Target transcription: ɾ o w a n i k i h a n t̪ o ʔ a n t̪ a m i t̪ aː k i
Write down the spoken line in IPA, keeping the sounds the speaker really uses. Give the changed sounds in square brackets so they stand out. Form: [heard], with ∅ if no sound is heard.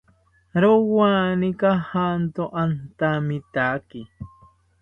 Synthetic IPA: ɾ o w a n i k [a] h a n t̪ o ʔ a n t̪ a m i t̪ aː k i